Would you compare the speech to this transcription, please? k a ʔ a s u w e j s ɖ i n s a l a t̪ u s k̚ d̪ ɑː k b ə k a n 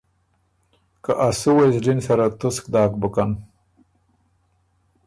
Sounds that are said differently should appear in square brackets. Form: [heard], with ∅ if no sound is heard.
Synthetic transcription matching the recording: k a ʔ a s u w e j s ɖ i n s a [ɾ] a t̪ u s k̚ d̪ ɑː k b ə k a n